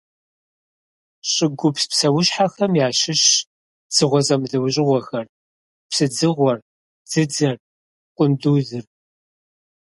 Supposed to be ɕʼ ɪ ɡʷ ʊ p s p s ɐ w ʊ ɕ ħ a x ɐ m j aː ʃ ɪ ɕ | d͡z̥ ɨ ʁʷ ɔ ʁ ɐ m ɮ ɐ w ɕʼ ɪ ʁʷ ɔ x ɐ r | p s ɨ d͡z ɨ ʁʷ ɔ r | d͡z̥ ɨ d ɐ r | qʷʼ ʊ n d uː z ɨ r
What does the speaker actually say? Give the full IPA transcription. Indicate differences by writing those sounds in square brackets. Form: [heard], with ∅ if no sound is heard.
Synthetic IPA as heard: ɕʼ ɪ ɡʷ ʊ p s p s ɐ w ʊ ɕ ħ a x ɐ m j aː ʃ ɪ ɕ | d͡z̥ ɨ ʁʷ ɔ [z] ɐ m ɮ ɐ w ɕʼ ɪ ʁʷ ɔ x ɐ r | p s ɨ d͡z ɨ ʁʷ ɔ r | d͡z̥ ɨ [d͡z] ɐ r | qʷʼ ʊ n d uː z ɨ r